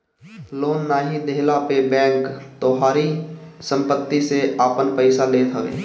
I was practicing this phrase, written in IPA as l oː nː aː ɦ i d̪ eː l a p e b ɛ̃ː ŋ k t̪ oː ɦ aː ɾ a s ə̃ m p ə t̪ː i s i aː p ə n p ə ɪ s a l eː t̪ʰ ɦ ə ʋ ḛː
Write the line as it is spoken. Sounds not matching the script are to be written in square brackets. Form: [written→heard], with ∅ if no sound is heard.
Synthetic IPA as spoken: l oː nː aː ɦ i d̪ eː l a p e b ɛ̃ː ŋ k t̪ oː ɦ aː ɾ [a→i] s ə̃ m p ə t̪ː i s [i→e] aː p ə n p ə ɪ s a l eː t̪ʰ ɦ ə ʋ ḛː